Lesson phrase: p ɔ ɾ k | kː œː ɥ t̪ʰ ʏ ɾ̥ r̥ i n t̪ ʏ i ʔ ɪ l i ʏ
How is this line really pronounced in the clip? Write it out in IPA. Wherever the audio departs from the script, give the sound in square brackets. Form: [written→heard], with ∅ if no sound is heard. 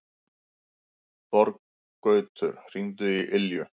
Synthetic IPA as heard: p ɔ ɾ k | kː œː ɥ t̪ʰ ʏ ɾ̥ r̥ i n t̪ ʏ i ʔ ɪ l [i→j] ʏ